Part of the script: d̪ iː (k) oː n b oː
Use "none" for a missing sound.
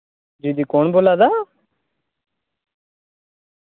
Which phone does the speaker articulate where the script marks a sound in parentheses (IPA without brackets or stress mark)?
k